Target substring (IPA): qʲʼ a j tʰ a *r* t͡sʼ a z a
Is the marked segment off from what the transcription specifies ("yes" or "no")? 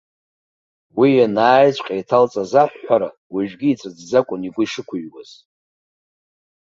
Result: yes